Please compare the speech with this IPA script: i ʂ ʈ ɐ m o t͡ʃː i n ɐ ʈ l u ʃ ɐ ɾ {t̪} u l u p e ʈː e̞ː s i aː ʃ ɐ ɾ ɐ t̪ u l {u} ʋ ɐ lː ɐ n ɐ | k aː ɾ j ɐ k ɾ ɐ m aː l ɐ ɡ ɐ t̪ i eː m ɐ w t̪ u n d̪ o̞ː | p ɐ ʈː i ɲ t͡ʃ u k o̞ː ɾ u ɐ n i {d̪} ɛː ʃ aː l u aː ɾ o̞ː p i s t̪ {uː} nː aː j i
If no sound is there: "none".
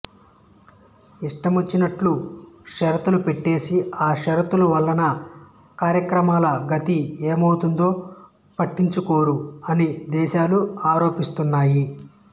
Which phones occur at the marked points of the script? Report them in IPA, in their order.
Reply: t̪, u, d̪, u

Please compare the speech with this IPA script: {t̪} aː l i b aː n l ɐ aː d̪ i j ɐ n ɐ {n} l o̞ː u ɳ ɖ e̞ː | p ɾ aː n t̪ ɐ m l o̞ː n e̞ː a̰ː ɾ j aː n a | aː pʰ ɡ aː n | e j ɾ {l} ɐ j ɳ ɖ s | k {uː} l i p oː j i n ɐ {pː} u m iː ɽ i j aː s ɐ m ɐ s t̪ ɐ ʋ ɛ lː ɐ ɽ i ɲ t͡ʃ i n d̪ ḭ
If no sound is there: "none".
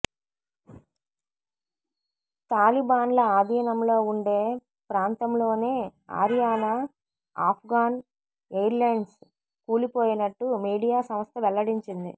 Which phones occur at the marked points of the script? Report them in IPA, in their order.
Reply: t̪, m, l, uː, ʈː

